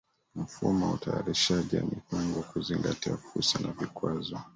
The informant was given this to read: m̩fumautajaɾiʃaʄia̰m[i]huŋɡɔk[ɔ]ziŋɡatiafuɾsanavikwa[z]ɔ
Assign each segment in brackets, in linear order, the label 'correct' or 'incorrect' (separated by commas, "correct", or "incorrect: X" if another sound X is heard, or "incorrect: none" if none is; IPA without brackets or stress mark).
correct, incorrect: u, correct